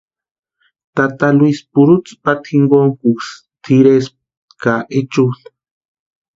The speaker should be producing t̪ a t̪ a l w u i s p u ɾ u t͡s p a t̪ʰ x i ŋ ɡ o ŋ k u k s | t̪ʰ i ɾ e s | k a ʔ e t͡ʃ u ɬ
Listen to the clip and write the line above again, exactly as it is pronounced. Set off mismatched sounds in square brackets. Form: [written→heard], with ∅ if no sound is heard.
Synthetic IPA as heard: t̪ a t̪ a l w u i s p u ɾ u t͡s p a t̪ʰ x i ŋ ɡ o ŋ k u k s | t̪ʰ i ɾ e s | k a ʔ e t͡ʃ u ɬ